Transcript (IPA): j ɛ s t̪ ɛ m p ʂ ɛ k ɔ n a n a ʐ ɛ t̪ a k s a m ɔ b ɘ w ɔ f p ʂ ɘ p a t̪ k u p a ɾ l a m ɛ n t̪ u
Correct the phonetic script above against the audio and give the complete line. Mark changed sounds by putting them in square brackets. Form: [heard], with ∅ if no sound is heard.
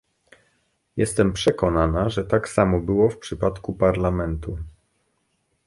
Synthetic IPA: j ɛ s t̪ ɛ m p ʂ ɛ k ɔ n a n a ʐ ɛ t̪ a k s a m ɔ b ɘ w ɔ f p ʂ ɘ p a t̪ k u p a ɾ l a m ɛ n t̪ u